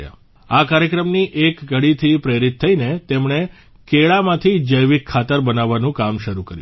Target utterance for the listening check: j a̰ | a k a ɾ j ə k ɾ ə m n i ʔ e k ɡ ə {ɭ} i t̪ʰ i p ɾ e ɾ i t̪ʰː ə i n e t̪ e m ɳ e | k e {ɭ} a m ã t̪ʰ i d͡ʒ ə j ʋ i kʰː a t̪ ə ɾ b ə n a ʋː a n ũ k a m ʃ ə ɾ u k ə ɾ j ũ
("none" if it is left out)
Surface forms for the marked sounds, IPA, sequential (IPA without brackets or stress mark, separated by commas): ɽ, ɭ